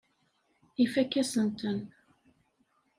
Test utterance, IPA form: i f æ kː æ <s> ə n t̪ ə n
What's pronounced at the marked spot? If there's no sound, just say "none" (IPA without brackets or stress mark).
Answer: s